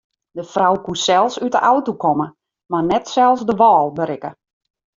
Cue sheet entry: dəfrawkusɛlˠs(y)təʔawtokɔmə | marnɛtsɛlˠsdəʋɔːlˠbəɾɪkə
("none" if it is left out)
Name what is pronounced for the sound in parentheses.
y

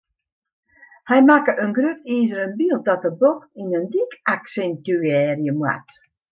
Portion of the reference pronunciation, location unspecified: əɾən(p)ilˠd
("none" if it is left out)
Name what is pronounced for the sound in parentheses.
b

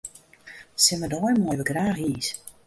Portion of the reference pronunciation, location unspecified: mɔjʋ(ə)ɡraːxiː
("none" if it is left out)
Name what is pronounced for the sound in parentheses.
ə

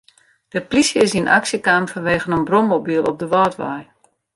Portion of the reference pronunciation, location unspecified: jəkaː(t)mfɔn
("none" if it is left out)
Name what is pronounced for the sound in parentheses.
none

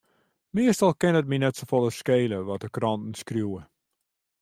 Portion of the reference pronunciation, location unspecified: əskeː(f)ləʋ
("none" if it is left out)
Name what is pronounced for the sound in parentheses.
none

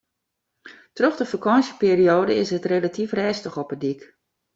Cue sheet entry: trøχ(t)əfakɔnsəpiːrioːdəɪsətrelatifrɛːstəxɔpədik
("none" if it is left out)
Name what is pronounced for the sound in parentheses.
d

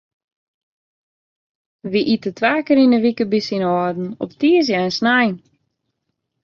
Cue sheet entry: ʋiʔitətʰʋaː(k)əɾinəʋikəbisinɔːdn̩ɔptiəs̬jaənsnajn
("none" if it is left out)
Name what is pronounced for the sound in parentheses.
k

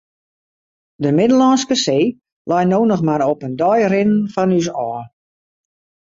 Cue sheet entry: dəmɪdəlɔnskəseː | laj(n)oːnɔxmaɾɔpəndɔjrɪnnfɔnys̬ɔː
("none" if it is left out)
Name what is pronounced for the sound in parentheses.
n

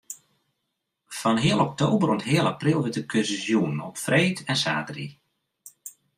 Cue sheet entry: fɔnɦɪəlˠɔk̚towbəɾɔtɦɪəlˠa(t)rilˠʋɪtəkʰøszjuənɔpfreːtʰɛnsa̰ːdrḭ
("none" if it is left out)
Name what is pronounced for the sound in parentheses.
p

